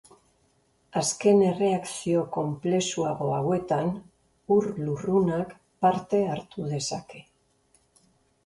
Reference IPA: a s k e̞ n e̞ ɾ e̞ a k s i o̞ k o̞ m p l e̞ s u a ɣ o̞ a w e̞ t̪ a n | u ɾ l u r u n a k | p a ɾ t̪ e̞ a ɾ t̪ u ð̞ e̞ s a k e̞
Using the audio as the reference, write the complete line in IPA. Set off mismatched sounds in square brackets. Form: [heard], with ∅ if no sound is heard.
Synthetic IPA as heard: a s k e̞ n e̞ [r] e̞ a k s i o̞ k o̞ m p l e̞ s u a ɣ o̞ a w e̞ t̪ a n | u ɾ l u r u n a k | p a ɾ t̪ e̞ a ɾ t̪ u ð̞ e̞ s a k e̞